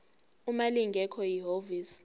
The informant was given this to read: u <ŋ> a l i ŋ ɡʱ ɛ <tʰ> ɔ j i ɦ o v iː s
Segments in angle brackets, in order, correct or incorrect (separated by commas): incorrect, incorrect